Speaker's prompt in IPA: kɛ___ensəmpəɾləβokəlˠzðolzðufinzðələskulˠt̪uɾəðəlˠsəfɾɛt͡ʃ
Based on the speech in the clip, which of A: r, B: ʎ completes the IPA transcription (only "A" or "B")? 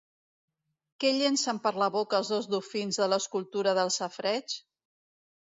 B